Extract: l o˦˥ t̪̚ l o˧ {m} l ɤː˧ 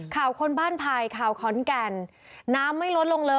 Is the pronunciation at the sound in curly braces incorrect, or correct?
incorrect: ŋ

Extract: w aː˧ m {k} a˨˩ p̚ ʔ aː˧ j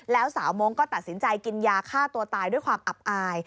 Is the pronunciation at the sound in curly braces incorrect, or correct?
incorrect: ʔ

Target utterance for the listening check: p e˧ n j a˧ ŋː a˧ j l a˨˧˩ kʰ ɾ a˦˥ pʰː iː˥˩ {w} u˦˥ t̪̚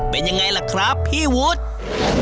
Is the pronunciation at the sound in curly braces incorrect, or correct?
correct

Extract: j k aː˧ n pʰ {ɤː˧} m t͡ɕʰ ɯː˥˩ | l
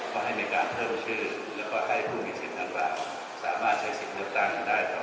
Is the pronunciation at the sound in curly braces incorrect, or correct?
incorrect: ɤː˥˩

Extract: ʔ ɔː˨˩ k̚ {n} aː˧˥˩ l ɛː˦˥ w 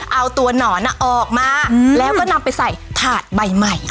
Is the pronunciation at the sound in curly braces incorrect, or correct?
incorrect: m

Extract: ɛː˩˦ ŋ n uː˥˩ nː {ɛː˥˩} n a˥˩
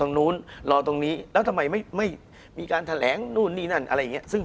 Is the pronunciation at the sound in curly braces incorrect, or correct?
incorrect: iː˥˩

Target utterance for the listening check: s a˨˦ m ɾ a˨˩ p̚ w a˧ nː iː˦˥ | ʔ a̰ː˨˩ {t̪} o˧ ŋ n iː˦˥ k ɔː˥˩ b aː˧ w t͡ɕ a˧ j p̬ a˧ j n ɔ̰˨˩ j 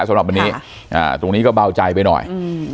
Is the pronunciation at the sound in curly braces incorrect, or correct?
correct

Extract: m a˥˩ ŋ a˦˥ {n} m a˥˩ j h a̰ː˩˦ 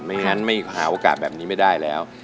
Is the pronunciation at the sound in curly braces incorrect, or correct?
correct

